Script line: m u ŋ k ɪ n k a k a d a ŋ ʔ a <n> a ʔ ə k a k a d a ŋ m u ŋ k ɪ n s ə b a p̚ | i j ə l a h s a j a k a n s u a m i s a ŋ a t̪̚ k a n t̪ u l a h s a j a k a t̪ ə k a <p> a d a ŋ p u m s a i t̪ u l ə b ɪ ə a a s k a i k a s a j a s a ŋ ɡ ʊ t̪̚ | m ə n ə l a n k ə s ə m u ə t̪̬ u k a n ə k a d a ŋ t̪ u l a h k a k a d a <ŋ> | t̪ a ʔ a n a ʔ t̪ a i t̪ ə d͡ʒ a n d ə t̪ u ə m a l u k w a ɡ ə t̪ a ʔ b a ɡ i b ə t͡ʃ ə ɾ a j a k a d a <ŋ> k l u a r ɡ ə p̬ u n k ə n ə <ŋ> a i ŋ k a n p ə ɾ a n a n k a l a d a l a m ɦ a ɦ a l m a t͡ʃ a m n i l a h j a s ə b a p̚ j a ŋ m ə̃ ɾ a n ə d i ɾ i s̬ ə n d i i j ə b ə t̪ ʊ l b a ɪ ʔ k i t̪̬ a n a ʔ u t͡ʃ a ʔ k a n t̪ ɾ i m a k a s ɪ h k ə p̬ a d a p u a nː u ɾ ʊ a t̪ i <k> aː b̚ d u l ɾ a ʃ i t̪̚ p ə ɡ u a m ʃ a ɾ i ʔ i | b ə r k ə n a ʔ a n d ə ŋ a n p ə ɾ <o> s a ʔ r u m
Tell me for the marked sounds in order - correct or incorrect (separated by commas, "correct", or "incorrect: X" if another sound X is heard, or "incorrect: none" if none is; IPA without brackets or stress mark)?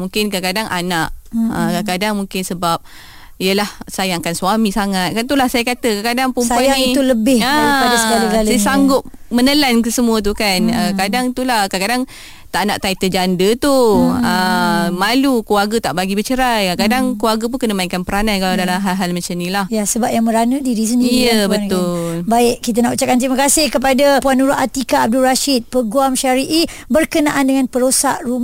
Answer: correct, incorrect: k, correct, correct, incorrect: m, correct, correct